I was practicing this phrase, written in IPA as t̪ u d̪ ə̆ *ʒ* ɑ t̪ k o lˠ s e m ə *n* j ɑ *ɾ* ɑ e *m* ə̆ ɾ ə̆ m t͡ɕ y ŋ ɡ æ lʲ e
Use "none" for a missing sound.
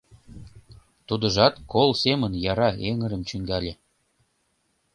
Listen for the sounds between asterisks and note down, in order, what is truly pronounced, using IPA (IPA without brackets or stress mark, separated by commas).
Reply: ʒ, n, ɾ, ŋ